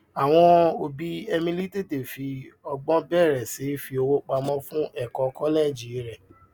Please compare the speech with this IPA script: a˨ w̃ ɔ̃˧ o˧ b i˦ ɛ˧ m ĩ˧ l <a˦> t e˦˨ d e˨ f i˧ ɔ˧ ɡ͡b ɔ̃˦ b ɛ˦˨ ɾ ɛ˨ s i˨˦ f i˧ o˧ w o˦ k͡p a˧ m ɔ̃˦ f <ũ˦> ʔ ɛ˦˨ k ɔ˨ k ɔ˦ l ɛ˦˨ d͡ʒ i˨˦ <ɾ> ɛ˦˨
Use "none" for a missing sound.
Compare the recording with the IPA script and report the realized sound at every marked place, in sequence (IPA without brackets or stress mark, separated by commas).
i˦, ũ˦, ɾ